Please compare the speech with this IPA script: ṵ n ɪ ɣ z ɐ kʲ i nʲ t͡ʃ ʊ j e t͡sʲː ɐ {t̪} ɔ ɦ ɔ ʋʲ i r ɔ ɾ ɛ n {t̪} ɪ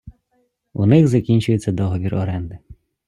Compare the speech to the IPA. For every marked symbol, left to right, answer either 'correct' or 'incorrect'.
incorrect, incorrect

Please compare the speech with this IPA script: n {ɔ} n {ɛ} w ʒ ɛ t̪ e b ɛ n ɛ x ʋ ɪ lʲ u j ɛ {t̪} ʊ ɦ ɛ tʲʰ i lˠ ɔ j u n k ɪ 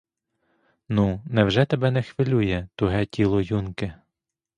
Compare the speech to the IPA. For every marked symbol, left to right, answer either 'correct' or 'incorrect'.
incorrect, correct, correct

